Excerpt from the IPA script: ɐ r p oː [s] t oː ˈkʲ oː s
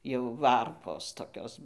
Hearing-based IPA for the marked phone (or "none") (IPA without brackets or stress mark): s